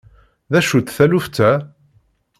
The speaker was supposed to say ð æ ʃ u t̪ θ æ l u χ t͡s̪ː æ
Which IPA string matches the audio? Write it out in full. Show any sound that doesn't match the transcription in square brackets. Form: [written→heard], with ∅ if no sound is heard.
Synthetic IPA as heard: ð æ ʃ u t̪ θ æ l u [χ→f] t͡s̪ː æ